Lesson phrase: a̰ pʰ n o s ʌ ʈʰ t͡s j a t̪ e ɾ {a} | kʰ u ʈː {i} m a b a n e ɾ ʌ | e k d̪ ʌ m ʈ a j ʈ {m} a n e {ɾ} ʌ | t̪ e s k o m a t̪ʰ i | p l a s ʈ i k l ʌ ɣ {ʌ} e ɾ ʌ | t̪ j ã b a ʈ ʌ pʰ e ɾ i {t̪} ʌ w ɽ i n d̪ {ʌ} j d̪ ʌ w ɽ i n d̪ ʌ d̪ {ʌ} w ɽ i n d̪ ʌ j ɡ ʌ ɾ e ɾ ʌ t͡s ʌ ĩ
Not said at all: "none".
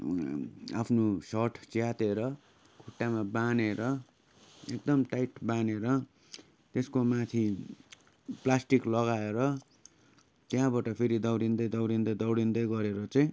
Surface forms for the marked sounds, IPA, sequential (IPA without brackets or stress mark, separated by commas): ʌ, a, b, ɾ, a, d̪, ʌ, ʌ